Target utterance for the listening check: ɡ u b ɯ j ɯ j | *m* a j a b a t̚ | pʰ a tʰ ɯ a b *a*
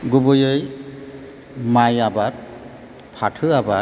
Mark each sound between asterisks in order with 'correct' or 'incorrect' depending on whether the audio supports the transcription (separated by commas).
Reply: correct, correct